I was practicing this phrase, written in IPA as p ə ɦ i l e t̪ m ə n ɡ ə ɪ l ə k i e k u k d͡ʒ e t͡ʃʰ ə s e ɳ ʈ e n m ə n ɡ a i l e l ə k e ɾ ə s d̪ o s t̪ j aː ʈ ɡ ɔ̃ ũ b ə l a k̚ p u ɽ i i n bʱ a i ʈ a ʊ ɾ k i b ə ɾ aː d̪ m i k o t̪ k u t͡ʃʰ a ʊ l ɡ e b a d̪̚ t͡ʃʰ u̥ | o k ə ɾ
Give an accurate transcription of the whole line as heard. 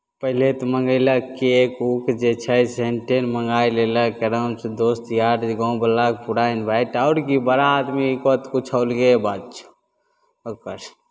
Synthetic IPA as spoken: p ə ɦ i l e t̪ m ə ŋ ɡ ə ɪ l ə k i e k u k d͡ʒ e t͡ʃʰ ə s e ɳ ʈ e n m ə ŋ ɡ a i l e l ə k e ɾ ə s d̪ o s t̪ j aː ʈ ɡ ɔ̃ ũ b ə l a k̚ p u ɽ a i n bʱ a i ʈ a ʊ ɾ k i b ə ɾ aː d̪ m i k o t̪ k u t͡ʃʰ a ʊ l ɡ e b a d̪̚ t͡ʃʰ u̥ | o k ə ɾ